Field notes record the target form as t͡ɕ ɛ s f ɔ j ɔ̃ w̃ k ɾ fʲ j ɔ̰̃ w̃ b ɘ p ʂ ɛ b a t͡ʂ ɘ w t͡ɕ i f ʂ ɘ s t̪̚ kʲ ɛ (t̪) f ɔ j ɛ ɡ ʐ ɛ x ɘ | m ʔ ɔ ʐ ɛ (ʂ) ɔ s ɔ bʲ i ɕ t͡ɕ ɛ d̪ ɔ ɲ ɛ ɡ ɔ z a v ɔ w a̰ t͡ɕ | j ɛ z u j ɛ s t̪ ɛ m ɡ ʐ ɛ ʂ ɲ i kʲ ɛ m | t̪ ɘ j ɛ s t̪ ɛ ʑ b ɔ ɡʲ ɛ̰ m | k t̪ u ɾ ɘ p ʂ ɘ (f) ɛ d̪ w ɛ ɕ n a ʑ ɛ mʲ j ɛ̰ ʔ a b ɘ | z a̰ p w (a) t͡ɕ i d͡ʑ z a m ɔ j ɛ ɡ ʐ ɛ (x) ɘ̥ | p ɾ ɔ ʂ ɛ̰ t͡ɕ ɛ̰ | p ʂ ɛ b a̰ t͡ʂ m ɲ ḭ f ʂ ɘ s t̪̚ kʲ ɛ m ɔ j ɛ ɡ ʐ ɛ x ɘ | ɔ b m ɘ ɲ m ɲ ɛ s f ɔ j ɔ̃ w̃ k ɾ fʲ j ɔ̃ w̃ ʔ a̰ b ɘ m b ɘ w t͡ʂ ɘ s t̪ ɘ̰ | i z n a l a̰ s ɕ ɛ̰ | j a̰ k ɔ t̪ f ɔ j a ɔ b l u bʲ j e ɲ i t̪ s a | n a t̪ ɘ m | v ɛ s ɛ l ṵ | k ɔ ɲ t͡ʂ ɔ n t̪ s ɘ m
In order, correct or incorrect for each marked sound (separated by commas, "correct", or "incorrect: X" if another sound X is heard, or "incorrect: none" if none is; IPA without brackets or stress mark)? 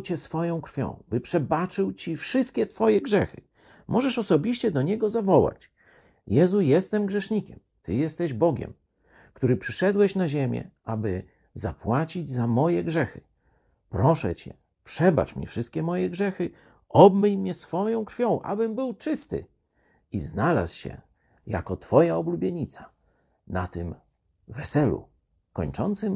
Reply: correct, correct, incorrect: ʂ, correct, correct